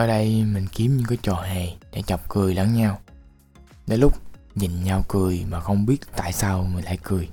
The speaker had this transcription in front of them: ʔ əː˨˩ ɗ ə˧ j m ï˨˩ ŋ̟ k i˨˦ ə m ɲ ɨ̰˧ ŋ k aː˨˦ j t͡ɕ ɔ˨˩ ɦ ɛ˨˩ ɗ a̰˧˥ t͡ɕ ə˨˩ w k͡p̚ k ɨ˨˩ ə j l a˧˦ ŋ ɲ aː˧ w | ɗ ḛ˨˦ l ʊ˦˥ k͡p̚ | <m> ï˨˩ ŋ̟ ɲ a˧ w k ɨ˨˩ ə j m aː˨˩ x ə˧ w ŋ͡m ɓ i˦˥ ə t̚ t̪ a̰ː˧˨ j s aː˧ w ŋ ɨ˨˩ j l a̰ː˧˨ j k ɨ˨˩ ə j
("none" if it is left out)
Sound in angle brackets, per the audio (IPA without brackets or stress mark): ɲ